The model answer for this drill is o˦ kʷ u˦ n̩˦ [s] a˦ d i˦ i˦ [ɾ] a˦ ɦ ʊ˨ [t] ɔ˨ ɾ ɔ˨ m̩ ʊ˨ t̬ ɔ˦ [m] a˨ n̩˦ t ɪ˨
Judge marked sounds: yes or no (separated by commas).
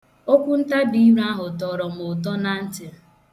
no, yes, yes, no